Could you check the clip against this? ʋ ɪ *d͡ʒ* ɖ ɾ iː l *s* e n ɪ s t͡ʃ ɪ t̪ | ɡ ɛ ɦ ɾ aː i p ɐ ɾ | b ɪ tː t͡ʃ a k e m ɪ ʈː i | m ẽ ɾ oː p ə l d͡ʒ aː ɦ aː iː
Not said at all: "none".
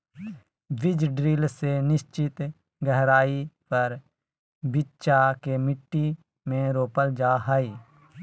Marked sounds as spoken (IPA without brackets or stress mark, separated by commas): d͡ʒ, s